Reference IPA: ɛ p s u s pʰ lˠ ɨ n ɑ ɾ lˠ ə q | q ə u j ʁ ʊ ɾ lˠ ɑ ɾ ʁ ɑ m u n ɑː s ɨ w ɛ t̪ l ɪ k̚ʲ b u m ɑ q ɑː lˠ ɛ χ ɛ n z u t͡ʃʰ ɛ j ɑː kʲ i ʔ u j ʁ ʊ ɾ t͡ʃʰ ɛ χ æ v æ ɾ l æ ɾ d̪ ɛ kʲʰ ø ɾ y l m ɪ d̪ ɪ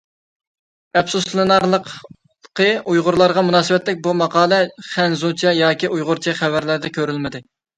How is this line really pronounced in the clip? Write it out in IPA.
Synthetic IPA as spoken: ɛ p s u s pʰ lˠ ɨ n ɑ ɾ lˠ ə q | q ə u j ʁ ʊ ɾ lˠ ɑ ɾ ʁ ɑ m u n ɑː s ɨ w ɛ t̪ l ɪ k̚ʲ b u m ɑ q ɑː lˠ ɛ χ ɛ n z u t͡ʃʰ ɛ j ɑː kʲ i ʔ u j ʁ ʊ ɾ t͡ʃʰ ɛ χ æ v æ ɾ l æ ɾ d̪ ɛ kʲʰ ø ɾ y l m ɪ d̪ ɪ